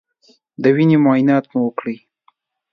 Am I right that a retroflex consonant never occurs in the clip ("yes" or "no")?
no